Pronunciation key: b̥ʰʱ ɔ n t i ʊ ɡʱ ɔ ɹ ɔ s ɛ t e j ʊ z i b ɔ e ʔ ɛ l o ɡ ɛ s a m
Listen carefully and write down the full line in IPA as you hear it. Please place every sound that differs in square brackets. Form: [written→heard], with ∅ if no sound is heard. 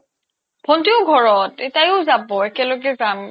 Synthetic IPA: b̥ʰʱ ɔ n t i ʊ ɡʱ ɔ ɹ ɔ [s→t] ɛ t [e→a] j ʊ z [i→a] b ɔ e [ʔ→k] ɛ l o ɡ ɛ [s→z] a m